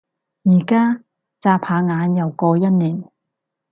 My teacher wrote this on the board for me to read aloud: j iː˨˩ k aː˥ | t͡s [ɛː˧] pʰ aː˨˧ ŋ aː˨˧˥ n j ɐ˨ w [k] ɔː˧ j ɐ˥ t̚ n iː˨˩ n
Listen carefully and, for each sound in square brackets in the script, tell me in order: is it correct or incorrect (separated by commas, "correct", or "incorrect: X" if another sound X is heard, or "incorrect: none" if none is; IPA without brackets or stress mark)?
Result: incorrect: aː˧, correct